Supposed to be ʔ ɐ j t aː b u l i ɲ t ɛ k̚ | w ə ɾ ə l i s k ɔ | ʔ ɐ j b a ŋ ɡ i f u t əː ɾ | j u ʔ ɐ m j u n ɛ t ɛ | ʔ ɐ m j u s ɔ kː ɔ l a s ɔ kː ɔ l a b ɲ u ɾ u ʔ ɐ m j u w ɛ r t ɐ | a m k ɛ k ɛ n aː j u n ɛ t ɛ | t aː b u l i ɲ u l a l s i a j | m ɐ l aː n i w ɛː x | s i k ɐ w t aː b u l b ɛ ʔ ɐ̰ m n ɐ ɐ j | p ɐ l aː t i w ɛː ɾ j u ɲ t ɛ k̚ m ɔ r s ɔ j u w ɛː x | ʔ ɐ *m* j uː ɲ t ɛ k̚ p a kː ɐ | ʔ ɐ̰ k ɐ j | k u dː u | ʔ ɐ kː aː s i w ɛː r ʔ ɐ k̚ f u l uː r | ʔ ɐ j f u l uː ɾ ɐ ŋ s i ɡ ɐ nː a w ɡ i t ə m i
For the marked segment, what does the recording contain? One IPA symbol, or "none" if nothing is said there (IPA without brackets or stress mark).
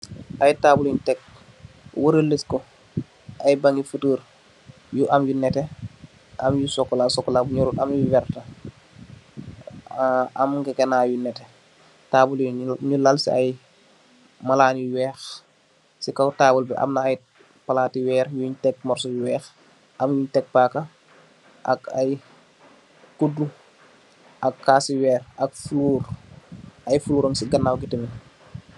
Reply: m